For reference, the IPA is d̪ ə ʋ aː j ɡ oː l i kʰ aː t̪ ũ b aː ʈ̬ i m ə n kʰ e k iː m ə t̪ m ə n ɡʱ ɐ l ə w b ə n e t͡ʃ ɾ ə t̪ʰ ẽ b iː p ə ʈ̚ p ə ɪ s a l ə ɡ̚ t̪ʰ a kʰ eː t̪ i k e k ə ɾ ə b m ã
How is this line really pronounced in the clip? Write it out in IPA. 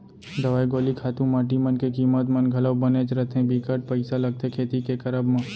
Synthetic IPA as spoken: d̪ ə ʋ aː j ɡ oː l i kʰ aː t̪ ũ m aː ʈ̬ i m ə n k e k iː m ə t̪ m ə n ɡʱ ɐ l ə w b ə n e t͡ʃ ɾ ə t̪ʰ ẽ b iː k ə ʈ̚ p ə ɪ s a l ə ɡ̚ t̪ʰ e kʰ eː t̪ i k e k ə ɾ ə b m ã